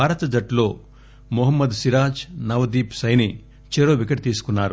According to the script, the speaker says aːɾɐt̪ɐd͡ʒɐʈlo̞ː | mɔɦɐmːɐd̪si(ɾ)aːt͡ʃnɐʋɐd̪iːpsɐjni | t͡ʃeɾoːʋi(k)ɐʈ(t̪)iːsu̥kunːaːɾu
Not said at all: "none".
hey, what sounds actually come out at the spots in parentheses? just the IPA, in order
ɾ, k, t̪

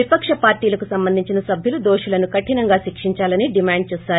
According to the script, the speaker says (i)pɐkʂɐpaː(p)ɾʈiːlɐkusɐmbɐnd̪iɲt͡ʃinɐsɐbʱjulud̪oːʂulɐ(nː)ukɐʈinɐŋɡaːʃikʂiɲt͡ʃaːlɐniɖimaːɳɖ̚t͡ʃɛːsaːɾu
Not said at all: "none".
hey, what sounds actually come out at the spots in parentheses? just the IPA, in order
i, none, n

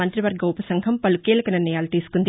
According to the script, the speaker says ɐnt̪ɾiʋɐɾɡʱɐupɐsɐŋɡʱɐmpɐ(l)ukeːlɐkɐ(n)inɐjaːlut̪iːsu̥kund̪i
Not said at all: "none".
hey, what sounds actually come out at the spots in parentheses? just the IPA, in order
l, n

